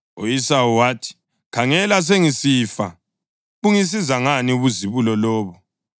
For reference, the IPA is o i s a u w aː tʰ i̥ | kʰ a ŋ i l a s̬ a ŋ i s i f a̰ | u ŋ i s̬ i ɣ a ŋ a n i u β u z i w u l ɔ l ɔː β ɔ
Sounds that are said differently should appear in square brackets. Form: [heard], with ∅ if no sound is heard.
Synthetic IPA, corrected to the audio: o i s a u w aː tʰ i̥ | kʰ a ŋ [ɛ] l a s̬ [e] ŋ i s i f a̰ | u ŋ i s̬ i [z] a ŋ a n i u β u z i [β] u l ɔ l ɔː β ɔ